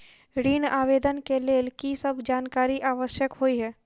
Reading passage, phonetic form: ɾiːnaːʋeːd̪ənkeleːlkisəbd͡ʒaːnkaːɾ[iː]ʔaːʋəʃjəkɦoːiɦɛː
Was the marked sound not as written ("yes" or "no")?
yes